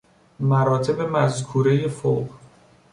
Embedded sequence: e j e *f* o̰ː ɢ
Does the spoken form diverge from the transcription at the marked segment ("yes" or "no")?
no